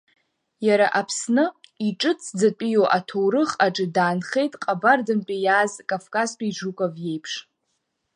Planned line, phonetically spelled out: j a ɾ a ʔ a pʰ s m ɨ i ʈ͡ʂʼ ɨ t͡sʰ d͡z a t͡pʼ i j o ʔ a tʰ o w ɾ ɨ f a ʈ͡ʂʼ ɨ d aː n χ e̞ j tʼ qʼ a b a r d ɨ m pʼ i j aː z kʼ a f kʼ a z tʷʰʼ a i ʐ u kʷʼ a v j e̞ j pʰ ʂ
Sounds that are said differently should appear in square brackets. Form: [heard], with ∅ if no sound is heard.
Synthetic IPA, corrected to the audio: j a ɾ a ʔ a pʰ s [n] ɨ i ʈ͡ʂʼ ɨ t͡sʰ d͡z a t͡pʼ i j o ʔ a tʰ o w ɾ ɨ [χ] a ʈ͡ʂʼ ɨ d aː n χ e̞ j tʼ qʼ a b a r d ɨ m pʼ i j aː z kʼ a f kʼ a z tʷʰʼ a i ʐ u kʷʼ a v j e̞ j pʰ ʂ

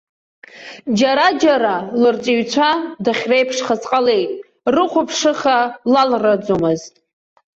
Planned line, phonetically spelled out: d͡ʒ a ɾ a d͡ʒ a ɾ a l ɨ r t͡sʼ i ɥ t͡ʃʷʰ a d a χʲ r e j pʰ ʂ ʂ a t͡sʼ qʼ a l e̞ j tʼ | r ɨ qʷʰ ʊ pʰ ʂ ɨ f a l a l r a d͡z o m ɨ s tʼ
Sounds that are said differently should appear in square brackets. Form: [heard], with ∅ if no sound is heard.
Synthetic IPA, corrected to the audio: d͡ʒ a ɾ a d͡ʒ a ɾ a l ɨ r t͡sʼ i ɥ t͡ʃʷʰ a d a χʲ r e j pʰ ʂ [χ] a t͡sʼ qʼ a l e̞ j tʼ | r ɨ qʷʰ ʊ pʰ ʂ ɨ [χ] a l a l r a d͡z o m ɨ [z] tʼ

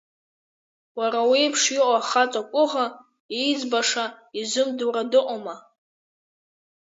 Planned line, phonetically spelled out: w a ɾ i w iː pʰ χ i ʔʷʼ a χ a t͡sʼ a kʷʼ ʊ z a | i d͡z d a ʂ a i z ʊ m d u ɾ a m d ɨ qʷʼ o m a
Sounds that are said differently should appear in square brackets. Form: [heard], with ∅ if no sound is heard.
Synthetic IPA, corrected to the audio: w a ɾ [a] w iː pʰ [ʂ] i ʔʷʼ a χ a t͡sʼ a kʷʼ ʊ [ʁ] a | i d͡z [b] a ʂ a i z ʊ m d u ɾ a [∅] d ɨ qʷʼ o m a

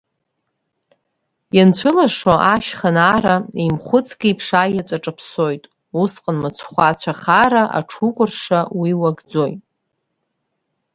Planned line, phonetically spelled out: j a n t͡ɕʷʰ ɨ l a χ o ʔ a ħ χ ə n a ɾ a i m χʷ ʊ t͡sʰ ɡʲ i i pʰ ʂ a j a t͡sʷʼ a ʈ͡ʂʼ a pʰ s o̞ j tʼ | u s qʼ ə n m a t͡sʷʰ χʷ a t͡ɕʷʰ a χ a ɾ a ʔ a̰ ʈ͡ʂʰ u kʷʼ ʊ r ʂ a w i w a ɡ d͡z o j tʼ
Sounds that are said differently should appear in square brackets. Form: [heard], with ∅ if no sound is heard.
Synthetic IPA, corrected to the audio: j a n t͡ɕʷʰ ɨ l a [ʂ] o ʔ a [ʃ] χ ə n a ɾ a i m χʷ ʊ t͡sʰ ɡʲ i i pʰ ʂ a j a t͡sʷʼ a ʈ͡ʂʼ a pʰ s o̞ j tʼ | u s qʼ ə n m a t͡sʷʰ χʷ a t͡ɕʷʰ a χ a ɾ a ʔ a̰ ʈ͡ʂʰ u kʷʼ ʊ r ʂ a w i w a ɡ d͡z o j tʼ

